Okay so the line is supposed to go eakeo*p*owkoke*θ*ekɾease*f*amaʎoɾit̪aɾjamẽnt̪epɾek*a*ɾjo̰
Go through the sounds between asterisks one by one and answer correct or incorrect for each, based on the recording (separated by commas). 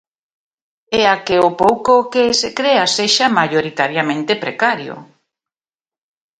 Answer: correct, incorrect, incorrect, correct